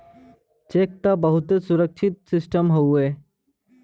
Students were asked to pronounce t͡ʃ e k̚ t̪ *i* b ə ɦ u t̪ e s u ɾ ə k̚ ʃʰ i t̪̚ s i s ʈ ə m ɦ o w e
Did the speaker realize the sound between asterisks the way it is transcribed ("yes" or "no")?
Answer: no